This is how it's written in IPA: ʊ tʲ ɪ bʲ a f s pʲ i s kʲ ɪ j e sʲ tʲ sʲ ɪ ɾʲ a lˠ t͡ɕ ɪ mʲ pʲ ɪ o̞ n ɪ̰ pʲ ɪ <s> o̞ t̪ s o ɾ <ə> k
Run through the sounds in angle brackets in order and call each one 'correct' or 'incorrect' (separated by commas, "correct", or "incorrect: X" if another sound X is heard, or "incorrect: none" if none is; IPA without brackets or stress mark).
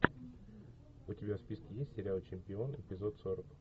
incorrect: z, correct